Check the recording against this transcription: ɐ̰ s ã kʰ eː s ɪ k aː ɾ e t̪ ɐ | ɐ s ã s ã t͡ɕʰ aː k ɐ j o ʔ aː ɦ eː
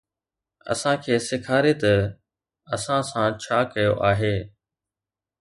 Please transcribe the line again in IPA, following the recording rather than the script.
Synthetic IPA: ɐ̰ s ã kʰ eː s ɪ kʰ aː ɾ e t̪ ɐ | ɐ s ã s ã t͡ɕʰ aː k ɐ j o ʔ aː ɦ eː